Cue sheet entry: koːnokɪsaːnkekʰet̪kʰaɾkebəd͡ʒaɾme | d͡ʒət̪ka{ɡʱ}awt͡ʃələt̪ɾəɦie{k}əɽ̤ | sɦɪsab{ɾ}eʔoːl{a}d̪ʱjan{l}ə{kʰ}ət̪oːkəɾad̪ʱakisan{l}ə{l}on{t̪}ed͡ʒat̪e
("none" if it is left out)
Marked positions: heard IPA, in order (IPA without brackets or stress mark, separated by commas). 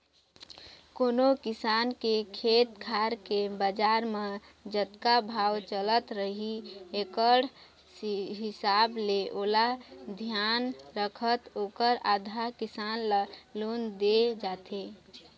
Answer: bʱ, k, l, a, ɾ, kʰ, l, l, d̪